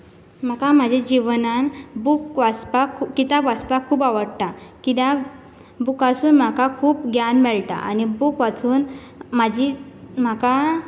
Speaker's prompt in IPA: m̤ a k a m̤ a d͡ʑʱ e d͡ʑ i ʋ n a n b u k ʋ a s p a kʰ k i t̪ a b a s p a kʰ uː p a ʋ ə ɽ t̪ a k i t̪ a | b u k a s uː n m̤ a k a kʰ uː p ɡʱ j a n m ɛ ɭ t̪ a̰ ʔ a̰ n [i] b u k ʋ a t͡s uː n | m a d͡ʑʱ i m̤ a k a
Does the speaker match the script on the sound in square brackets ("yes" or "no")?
yes